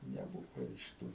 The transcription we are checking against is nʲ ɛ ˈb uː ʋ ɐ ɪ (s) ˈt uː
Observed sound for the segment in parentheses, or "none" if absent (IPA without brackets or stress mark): ʃ